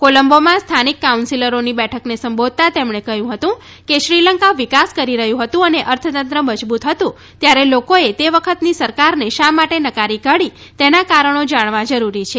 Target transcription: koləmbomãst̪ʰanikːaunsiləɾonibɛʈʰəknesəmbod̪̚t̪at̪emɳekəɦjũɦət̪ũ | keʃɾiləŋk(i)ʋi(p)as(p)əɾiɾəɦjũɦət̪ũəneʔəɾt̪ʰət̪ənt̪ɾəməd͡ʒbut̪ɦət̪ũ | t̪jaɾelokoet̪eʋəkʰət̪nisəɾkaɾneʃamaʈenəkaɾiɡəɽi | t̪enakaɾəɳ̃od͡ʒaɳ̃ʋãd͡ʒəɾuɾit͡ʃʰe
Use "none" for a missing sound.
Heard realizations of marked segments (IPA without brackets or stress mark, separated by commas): a, k, k